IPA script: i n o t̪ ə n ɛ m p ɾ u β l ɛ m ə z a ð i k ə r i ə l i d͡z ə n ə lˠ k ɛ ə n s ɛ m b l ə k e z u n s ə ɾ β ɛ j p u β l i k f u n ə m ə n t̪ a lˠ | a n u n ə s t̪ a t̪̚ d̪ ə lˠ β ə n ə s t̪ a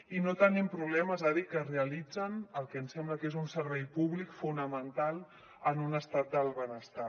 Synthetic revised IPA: i n o t̪ ə n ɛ m p ɾ u β l ɛ m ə z a ð i k ə r e ə l i d͡z ə n ə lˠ k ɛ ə n s ɛ m b l ə k e z u n s ə ɾ β ɛ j p u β l i k f u n ə m ə n t̪ a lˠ | ə n u n ə s t̪ a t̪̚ d̪ ə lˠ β ə n ə s t̪ a